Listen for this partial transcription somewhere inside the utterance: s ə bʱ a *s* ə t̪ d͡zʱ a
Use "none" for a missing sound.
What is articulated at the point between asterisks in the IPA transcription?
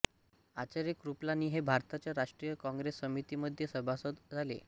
s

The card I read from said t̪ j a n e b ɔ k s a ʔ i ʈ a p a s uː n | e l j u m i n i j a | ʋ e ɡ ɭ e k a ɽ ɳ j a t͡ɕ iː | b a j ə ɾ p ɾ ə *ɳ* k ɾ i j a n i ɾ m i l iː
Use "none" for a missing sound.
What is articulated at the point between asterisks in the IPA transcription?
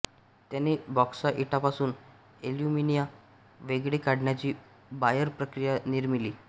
none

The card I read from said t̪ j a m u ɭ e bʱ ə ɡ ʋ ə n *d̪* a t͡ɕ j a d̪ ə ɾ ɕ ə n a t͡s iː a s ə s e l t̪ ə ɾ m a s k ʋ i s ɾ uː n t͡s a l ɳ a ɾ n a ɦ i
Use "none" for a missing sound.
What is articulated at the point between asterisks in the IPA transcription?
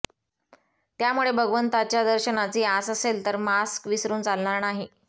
t̪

